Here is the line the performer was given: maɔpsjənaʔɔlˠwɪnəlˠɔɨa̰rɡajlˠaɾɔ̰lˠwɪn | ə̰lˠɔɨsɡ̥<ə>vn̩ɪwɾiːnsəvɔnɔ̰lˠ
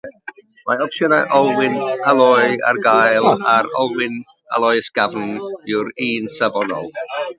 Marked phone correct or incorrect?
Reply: incorrect